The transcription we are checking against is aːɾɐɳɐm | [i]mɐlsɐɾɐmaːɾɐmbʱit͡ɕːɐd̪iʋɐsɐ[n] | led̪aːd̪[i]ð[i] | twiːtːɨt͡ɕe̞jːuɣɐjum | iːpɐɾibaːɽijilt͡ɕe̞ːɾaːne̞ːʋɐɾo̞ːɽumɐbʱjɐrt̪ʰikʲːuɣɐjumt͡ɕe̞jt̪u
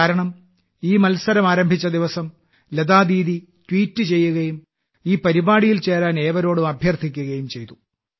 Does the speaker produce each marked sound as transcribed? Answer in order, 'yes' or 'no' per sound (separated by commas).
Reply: no, no, no, yes